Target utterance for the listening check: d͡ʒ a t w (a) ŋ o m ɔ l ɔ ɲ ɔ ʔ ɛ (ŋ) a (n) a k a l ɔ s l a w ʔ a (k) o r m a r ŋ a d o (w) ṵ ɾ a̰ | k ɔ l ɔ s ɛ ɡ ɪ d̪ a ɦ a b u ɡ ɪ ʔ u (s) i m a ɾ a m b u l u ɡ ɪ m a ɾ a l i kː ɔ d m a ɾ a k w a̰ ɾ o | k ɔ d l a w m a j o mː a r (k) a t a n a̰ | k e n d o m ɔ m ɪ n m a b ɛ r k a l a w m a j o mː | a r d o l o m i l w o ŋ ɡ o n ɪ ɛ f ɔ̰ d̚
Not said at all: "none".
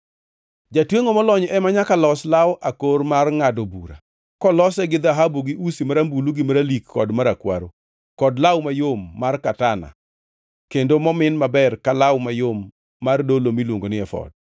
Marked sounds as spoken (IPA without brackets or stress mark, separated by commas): e, m, ɲ, k, b, s, k